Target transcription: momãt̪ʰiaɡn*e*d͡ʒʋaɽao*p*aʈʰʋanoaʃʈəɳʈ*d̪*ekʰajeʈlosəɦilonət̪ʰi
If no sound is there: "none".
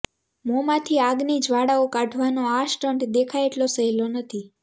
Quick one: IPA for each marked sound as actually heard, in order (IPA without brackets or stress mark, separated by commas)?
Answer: i, k, d̪